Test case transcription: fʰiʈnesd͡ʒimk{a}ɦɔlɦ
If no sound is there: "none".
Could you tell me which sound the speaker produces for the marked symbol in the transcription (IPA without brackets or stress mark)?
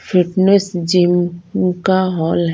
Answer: a